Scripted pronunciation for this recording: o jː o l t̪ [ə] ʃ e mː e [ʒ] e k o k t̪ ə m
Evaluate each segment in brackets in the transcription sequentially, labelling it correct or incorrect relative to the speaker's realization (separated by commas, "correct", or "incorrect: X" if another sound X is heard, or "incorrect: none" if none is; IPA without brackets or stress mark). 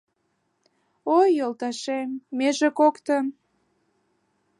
incorrect: ɑ, correct